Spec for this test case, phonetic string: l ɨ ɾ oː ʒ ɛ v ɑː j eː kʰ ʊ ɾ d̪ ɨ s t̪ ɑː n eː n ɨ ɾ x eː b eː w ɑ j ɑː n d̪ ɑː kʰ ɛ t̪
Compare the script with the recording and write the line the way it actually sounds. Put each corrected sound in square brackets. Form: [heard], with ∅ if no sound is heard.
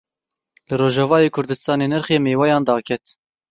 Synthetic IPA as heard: l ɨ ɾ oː ʒ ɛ v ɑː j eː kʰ ʊ ɾ d̪ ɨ s t̪ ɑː n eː n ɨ ɾ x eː [m] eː w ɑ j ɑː n d̪ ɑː kʰ ɛ t̪